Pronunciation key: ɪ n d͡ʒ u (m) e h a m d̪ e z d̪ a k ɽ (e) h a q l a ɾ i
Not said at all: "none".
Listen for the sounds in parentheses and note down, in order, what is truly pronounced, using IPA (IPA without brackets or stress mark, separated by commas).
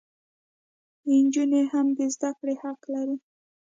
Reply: n, e